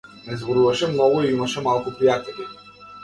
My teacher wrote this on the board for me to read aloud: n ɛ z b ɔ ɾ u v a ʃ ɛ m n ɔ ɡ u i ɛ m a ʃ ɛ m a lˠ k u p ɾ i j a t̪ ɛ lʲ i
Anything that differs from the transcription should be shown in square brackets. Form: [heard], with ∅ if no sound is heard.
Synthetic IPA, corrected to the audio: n ɛ z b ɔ ɾ u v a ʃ ɛ m n ɔ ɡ u i [i] m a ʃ ɛ m a lˠ k u p ɾ i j a t̪ ɛ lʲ i